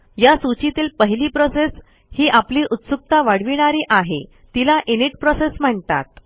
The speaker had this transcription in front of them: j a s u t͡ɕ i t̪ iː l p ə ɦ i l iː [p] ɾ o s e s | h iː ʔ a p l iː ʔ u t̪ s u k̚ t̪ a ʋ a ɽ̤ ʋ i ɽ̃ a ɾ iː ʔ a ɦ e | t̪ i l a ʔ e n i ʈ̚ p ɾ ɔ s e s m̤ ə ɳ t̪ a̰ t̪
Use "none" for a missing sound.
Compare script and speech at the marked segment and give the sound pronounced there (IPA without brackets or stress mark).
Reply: p